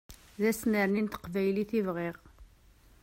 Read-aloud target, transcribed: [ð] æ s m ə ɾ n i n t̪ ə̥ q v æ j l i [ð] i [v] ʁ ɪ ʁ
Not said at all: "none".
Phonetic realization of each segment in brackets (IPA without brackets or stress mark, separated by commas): ð, θ, v